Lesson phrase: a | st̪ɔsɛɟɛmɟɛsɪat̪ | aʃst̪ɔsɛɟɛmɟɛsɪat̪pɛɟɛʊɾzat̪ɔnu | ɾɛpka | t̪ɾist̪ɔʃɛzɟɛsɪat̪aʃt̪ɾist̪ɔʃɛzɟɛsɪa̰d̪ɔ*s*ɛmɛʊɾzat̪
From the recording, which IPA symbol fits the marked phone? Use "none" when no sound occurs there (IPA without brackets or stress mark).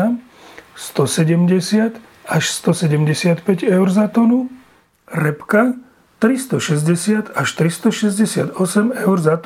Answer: s